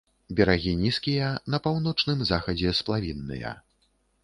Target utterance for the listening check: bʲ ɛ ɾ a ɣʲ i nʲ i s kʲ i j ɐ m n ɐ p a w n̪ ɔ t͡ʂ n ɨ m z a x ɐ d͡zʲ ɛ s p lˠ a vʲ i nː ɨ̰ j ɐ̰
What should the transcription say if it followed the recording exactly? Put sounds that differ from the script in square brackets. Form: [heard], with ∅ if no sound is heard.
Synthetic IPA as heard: bʲ ɛ ɾ a ɣʲ i nʲ i s kʲ i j ɐ [∅] n ɐ p a w n̪ ɔ t͡ʂ n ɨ m z a x ɐ d͡zʲ ɛ s p lˠ a vʲ i nː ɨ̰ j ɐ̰